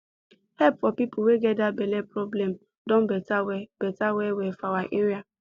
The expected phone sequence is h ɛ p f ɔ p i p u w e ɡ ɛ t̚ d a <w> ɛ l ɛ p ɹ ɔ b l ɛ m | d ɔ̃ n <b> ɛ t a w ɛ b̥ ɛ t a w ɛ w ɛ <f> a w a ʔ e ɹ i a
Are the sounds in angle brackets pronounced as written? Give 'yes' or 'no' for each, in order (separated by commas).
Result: no, yes, yes